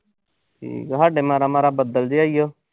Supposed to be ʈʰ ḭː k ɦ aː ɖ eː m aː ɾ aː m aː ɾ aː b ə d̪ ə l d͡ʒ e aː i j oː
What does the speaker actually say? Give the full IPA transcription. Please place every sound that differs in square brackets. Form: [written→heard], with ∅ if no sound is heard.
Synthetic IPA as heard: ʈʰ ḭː k ɦ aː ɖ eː m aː ɾ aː m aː ɾ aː b ə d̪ ə l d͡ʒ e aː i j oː